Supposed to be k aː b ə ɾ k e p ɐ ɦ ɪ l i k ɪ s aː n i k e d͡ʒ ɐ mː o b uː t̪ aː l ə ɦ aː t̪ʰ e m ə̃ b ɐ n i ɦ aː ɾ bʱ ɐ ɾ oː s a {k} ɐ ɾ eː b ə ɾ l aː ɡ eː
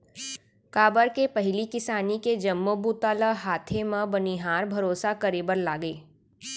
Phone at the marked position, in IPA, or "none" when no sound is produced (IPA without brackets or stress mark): k